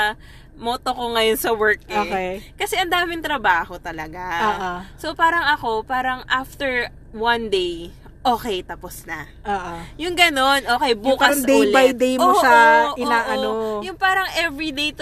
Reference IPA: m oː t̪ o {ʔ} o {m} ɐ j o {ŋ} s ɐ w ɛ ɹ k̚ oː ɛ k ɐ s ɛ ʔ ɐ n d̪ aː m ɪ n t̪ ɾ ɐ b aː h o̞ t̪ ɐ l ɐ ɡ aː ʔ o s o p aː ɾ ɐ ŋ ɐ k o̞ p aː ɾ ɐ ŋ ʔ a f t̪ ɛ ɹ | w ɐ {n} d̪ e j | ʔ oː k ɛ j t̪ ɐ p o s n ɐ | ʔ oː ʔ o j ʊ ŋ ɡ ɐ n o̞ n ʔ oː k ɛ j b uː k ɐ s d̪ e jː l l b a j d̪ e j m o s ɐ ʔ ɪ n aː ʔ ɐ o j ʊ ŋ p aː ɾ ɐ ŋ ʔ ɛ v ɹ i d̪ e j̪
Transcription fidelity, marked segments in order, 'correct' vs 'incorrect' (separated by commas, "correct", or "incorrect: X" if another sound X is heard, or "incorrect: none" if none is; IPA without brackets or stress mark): incorrect: k, incorrect: ŋ, incorrect: n, correct